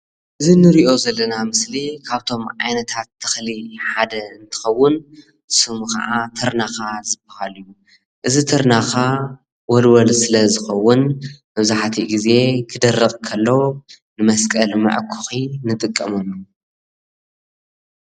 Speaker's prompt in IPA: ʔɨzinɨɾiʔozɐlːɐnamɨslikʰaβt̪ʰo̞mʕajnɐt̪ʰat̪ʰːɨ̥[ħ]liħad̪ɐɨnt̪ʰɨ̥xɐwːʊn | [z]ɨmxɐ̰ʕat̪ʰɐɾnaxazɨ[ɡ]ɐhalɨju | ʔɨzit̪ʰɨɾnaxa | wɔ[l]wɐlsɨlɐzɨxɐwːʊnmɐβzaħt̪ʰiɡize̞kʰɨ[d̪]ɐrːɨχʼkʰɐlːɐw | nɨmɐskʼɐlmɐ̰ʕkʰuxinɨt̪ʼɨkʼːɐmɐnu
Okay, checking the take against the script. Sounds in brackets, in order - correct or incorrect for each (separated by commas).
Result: incorrect, incorrect, incorrect, correct, correct